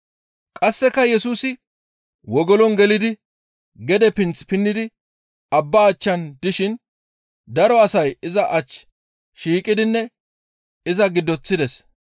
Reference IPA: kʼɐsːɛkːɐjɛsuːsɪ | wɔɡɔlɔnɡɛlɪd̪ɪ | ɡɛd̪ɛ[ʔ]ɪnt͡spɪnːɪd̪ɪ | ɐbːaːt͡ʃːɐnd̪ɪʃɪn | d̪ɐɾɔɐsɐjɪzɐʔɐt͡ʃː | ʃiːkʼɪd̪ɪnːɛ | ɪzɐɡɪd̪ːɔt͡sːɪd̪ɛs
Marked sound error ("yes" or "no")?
yes